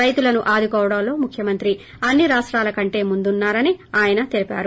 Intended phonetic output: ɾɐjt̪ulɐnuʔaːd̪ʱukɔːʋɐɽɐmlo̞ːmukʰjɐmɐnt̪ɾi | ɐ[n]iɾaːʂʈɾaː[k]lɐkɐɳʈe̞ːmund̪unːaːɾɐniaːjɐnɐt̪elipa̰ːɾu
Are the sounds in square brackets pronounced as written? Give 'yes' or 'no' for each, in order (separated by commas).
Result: no, no